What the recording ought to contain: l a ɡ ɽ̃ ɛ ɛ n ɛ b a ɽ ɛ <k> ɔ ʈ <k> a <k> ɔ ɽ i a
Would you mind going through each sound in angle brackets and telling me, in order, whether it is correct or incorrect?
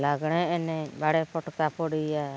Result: incorrect: p, correct, incorrect: p

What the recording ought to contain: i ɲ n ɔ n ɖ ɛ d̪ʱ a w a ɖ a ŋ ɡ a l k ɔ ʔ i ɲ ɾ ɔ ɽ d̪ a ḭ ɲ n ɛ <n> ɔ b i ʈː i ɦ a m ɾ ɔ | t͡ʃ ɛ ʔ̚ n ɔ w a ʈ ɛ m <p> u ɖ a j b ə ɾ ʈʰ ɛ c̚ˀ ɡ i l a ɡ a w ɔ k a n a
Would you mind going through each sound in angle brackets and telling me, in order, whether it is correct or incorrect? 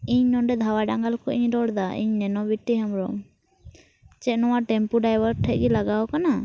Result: correct, correct

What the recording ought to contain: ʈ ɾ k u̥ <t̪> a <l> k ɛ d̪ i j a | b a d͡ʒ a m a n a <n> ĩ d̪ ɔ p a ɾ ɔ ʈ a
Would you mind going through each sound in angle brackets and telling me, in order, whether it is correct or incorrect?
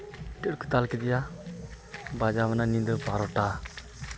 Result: correct, correct, correct

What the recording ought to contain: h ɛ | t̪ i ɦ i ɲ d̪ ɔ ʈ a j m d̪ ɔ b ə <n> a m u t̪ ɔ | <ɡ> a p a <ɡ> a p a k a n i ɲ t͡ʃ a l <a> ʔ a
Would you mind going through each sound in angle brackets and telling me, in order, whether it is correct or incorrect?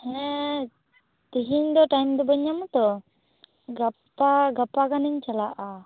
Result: incorrect: ɲ, correct, correct, correct

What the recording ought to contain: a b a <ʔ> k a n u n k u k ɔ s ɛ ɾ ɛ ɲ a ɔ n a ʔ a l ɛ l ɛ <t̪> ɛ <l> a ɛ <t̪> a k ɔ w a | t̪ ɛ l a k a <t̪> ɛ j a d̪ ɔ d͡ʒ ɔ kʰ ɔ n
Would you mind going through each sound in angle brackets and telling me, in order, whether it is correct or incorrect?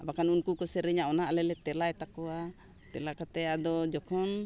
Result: incorrect: none, correct, correct, correct, correct

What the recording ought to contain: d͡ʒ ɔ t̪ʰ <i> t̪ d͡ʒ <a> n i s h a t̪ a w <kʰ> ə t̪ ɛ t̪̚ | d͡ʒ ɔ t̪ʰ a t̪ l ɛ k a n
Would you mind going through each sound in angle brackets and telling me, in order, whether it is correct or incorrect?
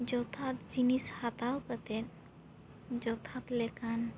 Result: incorrect: a, incorrect: i, incorrect: k

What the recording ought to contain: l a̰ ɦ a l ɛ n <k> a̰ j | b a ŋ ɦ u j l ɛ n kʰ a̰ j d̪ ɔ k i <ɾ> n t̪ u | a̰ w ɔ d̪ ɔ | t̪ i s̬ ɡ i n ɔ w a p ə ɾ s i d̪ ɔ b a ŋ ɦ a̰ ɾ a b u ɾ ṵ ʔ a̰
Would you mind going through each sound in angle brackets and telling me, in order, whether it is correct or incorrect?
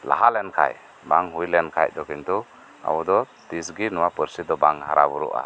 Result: incorrect: kʰ, incorrect: none

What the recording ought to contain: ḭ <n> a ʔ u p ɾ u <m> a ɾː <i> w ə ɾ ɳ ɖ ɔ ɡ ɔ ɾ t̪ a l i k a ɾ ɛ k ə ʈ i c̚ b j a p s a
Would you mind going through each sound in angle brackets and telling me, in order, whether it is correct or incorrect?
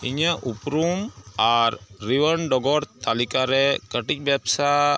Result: incorrect: ɲ, correct, correct

